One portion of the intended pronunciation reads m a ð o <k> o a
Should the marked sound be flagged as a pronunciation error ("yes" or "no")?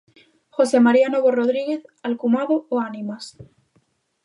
yes